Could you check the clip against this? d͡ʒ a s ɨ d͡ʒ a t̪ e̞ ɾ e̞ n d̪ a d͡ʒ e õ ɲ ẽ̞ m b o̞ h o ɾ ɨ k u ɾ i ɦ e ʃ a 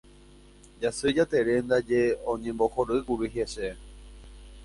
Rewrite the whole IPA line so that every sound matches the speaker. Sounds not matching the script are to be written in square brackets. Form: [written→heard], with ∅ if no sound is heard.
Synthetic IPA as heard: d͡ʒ a s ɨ d͡ʒ a t̪ e̞ ɾ e̞ n d̪ a d͡ʒ e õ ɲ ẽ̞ m b o̞ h o ɾ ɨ k u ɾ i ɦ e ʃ [a→e]